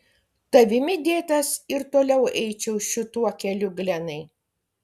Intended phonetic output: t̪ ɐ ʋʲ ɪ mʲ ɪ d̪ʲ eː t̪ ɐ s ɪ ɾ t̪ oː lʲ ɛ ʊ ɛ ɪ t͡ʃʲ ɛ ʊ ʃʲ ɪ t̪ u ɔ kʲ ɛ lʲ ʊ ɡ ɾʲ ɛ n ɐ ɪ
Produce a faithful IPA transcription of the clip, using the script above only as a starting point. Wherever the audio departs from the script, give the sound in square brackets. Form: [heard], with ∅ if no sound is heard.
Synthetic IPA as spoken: t̪ ɐ ʋʲ ɪ mʲ ɪ d̪ʲ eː t̪ ɐ s ɪ ɾ t̪ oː lʲ ɛ ʊ ɛ ɪ t͡ʃʲ ɛ ʊ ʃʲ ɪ t̪ u ɔ kʲ ɛ lʲ ʊ ɡ [lʲ] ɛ n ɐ ɪ